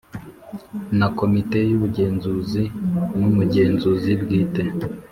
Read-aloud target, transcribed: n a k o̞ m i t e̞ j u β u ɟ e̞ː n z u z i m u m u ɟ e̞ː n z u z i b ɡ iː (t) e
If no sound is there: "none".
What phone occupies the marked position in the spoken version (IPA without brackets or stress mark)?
t